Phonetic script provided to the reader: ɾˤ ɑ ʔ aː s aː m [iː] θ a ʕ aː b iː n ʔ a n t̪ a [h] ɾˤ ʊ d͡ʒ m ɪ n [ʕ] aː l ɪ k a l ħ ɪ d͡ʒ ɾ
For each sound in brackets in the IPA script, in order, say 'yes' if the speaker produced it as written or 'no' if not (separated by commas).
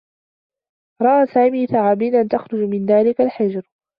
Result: yes, no, no